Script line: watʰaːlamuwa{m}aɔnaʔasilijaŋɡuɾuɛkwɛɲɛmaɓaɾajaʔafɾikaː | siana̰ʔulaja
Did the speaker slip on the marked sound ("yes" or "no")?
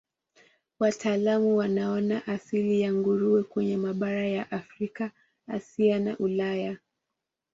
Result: yes